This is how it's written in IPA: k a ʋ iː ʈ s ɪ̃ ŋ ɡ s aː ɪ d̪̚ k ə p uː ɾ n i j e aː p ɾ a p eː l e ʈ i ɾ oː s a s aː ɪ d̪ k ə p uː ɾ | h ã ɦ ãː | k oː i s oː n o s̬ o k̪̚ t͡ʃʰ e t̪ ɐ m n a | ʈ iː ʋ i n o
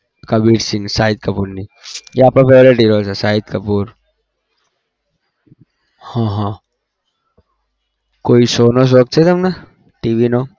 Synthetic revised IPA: k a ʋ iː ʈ s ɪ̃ ŋ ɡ s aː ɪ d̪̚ k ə p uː ɾ n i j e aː p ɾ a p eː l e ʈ i ɾ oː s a s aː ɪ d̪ k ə p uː ɾ | h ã ɦ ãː | k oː i s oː n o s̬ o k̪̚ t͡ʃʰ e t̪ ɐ m n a | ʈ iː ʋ i n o